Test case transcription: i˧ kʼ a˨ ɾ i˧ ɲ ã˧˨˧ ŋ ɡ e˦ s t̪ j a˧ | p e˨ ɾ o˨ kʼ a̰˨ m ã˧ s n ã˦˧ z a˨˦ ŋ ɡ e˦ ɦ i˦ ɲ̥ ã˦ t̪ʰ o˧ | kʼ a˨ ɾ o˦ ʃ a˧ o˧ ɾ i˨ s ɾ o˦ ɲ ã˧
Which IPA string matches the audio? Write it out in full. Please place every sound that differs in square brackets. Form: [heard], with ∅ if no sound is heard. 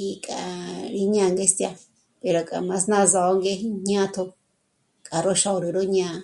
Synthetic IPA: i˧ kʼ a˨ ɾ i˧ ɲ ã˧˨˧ ŋ ɡ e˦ s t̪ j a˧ | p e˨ ɾ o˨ kʼ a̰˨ m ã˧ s n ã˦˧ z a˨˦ ŋ ɡ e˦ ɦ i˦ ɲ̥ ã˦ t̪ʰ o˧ | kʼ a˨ ɾ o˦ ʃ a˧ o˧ ɾ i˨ [∅] ɾ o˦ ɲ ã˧